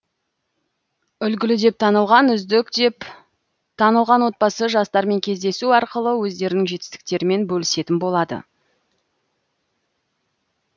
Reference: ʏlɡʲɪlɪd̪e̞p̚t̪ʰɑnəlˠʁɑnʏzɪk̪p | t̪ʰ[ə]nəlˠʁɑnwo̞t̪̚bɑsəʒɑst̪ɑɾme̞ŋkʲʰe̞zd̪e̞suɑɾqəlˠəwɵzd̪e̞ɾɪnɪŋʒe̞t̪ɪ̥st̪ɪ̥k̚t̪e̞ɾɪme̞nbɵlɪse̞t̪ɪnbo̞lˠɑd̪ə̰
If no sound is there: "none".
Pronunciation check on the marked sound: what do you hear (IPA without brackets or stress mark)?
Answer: ɑ